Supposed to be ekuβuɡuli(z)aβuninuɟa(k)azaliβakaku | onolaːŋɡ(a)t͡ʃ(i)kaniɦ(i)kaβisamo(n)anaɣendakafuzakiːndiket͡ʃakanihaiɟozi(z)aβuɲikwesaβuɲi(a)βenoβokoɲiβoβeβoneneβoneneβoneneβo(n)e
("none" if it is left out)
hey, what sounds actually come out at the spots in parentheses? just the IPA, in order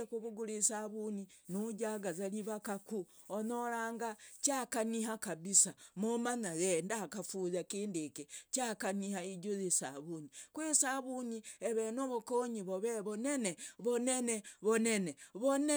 s, ɡ, a, a, a, m, s, e, n

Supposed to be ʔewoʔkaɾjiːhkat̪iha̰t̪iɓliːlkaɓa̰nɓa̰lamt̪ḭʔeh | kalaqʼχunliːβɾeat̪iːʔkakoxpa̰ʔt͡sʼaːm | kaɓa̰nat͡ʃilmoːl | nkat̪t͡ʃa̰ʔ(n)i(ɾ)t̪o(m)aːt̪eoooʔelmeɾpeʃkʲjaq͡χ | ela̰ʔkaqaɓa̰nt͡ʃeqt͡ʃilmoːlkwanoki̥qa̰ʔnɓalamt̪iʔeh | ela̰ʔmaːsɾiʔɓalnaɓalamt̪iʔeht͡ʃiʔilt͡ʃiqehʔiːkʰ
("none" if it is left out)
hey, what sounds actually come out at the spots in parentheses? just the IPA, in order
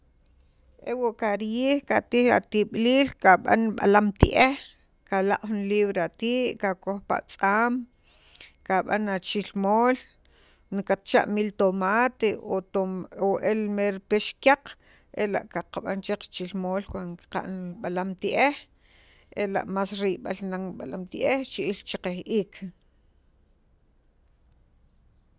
m, l, m

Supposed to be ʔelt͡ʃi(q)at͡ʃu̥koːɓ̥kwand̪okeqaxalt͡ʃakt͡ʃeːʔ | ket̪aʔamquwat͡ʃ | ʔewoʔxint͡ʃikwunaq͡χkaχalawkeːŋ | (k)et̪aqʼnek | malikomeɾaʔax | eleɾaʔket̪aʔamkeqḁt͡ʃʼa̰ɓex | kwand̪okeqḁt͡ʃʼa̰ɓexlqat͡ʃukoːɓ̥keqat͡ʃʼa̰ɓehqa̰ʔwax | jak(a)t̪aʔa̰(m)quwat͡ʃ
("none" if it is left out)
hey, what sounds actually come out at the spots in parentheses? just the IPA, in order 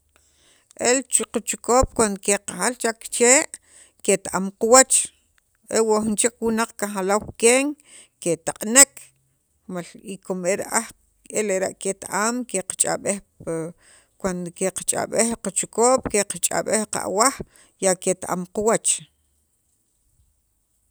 q, k, e, m

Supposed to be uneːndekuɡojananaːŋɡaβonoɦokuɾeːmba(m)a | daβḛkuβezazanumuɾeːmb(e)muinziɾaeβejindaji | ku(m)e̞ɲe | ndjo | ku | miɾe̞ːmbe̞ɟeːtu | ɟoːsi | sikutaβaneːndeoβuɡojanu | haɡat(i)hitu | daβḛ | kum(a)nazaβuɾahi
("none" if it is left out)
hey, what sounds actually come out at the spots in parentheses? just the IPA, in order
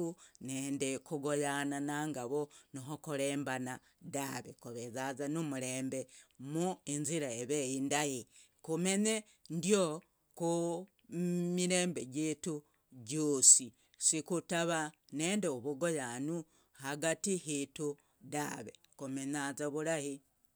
n, e, m, i, e

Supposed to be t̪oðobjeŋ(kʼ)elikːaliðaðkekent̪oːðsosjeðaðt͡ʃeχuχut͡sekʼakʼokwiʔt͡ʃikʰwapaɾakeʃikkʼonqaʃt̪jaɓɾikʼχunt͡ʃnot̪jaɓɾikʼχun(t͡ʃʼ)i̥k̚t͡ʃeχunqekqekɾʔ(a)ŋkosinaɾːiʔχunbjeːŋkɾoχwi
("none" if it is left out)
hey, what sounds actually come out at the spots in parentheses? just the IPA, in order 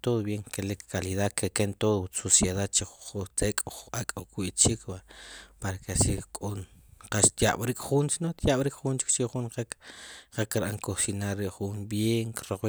k, t͡ʃ, a

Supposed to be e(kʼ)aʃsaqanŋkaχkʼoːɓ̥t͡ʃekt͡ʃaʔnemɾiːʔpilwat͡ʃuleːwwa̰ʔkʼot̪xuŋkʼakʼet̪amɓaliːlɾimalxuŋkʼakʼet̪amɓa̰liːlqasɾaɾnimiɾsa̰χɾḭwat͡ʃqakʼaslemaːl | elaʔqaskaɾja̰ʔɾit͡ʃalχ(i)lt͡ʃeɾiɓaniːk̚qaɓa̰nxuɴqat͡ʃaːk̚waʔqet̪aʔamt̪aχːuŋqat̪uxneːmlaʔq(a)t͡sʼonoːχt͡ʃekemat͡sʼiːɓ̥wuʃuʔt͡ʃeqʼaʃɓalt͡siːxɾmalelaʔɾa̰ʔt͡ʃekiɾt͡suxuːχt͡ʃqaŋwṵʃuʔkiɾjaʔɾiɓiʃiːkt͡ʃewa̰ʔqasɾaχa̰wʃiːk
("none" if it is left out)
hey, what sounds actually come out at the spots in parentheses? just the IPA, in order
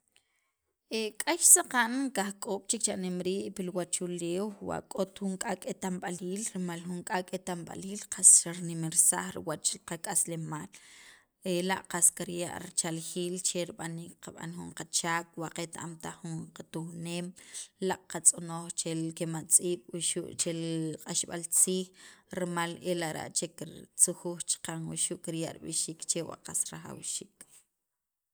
kʼ, iː, a

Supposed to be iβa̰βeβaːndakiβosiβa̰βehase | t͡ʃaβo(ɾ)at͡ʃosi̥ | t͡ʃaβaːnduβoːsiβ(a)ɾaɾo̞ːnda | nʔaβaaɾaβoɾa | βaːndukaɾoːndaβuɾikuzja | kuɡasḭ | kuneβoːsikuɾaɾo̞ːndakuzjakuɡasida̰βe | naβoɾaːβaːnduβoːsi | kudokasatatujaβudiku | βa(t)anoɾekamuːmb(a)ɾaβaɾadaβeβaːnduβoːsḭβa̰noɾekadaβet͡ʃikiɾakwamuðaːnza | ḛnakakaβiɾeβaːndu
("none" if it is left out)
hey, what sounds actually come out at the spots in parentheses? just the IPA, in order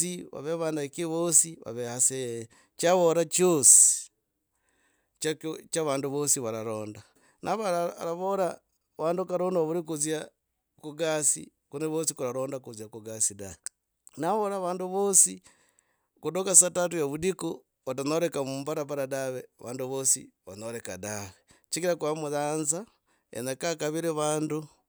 ɾ, a, t, a

